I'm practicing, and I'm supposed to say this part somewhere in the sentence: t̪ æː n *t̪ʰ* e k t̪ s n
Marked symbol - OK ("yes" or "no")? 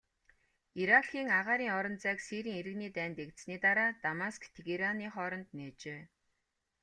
no